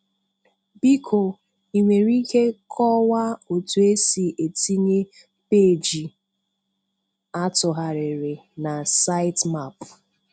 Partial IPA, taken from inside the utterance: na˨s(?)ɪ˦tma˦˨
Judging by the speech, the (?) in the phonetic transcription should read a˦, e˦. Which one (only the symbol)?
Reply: a˦